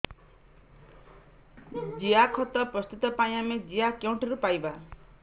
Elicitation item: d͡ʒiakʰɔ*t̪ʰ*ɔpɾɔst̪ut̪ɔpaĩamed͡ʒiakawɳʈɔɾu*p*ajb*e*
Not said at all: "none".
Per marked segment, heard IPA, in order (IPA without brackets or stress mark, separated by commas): t̪, p, a